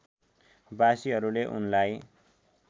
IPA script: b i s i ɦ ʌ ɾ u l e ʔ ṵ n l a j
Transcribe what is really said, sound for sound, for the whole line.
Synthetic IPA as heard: b a s i ɦ ʌ ɾ u l e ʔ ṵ n l a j